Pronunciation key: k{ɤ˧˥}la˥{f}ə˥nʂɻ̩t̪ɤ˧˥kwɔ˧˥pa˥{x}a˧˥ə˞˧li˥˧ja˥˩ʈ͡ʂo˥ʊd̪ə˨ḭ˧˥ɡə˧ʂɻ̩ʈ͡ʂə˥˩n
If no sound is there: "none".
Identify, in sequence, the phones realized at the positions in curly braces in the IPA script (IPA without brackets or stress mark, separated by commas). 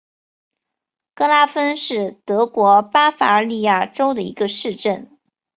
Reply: ɤ˥, f, f